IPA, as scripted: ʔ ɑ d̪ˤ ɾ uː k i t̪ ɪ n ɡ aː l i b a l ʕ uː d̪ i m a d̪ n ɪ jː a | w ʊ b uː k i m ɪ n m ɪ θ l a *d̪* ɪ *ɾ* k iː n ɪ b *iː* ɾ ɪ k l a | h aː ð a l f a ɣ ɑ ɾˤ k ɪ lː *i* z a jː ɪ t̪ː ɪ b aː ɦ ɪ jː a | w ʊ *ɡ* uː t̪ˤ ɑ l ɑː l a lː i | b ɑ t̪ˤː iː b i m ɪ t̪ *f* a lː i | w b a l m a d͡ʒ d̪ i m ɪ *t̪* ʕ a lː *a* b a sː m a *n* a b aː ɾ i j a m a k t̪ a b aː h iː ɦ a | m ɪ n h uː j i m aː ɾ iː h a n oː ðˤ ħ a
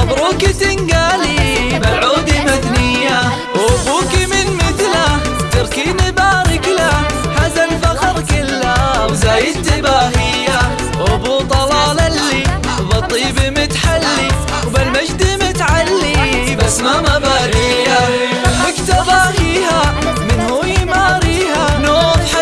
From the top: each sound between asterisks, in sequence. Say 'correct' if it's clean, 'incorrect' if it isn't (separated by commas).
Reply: incorrect, correct, incorrect, incorrect, incorrect, incorrect, correct, incorrect, incorrect